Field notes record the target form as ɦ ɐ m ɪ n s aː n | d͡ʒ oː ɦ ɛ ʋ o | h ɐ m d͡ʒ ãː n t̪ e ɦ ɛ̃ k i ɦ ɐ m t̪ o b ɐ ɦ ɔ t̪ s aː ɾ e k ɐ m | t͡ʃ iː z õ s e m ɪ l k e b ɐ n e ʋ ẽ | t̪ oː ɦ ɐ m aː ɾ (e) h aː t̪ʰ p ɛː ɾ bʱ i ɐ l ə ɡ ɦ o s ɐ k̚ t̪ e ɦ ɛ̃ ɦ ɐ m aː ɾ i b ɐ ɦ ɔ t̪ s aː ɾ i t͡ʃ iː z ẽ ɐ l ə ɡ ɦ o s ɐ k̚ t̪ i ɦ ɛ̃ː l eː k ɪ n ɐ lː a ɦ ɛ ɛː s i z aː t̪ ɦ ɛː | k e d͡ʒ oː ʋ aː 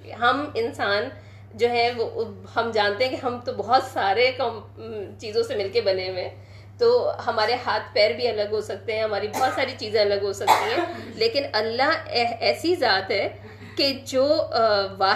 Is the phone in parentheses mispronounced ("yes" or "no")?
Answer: no